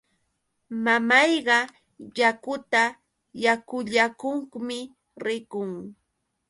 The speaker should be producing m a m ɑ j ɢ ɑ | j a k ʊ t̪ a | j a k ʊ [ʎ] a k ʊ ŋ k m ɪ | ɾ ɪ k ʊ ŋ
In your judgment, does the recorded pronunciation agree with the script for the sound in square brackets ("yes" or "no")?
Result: yes